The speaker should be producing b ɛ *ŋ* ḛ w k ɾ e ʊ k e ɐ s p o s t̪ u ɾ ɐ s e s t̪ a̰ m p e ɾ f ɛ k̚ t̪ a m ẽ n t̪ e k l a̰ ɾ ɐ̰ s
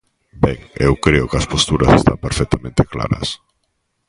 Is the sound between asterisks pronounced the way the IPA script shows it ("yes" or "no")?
yes